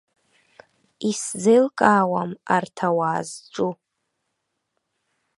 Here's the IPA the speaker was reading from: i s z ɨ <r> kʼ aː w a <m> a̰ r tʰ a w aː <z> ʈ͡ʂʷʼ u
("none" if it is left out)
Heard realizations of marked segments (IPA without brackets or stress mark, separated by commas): l, m, z